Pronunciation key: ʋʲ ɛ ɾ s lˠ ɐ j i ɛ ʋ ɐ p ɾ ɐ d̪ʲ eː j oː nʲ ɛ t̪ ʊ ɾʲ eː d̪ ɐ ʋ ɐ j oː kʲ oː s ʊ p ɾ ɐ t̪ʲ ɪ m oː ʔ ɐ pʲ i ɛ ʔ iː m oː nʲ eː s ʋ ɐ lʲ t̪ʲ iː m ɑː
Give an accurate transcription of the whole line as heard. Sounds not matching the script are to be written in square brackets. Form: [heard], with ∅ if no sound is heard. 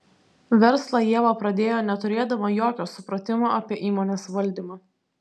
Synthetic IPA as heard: ʋʲ ɛ ɾ s lˠ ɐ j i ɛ ʋ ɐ p ɾ ɐ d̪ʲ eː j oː nʲ ɛ t̪ ʊ ɾʲ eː d̪ ɐ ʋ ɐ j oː kʲ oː s ʊ p ɾ ɐ t̪ʲ ɪ m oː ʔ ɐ pʲ i ɛ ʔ iː m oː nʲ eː s ʋ ɐ lʲ [d̪ʲ] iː m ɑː